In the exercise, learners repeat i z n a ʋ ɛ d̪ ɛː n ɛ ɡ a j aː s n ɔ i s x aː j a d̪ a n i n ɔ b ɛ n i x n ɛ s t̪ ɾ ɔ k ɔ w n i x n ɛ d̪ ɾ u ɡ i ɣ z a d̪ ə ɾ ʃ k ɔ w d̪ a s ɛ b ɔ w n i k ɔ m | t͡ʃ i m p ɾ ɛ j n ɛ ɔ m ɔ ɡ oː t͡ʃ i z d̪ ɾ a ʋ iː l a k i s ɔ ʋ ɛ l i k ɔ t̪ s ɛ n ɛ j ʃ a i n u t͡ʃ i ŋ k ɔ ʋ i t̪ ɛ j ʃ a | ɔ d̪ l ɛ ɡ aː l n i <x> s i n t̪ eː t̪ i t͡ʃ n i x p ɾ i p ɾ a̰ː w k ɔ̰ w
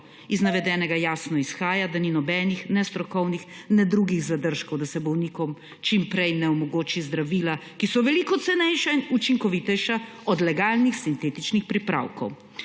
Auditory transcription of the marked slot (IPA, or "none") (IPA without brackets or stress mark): x